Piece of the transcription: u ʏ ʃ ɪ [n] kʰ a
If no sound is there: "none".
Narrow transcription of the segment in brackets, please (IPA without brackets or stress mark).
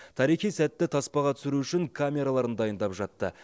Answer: ŋ